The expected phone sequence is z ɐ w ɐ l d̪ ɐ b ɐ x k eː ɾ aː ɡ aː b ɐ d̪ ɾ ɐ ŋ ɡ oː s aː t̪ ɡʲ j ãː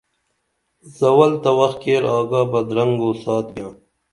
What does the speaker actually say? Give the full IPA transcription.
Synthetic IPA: z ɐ w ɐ l t̪ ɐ w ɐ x k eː ɾ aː ɡ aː b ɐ d̪ ɾ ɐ ŋ ɡ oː s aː t̪ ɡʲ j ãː